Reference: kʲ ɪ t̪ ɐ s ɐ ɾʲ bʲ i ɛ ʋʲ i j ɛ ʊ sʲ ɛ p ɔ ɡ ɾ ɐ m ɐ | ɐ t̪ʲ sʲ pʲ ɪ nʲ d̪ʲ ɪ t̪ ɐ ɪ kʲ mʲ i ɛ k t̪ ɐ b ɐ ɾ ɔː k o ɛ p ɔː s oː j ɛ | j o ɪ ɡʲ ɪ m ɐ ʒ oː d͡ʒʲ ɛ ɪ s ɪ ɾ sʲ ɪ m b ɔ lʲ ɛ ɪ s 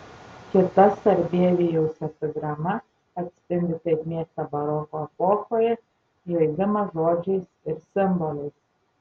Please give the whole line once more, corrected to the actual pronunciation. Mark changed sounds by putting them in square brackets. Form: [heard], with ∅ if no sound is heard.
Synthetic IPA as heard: kʲ ɪ t̪ ɐ s ɐ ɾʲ bʲ i ɛ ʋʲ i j ɛ ʊ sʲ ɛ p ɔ ɡ ɾ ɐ m ɐ | ɐ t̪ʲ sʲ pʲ ɪ nʲ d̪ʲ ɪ t̪ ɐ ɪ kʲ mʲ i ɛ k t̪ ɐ b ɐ ɾ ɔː k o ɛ p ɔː [x] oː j ɛ | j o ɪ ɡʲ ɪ m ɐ ʒ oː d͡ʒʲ ɛ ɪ s ɪ ɾ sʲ ɪ m b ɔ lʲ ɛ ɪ s